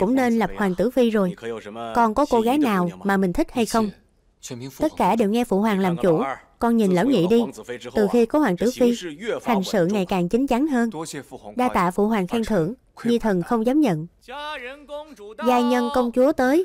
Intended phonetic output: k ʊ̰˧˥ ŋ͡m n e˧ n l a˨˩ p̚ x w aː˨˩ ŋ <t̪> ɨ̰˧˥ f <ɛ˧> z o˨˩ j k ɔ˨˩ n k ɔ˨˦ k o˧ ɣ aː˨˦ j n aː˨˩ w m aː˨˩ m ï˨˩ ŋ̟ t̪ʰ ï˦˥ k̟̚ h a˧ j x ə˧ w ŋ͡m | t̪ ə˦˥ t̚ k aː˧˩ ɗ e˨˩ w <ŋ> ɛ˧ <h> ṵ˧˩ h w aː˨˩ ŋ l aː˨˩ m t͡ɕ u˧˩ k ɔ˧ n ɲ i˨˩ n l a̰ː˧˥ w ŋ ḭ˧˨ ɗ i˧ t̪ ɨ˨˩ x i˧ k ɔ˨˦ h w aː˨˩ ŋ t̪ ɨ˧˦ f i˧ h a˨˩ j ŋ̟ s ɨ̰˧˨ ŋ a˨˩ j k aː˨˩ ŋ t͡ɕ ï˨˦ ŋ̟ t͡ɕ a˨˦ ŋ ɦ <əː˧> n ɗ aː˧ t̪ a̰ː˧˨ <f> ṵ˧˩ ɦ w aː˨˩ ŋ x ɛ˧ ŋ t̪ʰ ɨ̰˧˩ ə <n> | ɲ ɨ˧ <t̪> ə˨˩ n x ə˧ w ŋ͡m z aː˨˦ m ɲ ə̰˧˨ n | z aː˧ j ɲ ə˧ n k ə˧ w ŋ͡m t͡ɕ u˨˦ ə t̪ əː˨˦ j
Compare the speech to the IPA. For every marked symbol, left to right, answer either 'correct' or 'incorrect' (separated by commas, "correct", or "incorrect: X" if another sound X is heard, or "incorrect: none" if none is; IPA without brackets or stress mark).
correct, incorrect: i˧, correct, incorrect: f, correct, correct, incorrect: ŋ, incorrect: t̪ʰ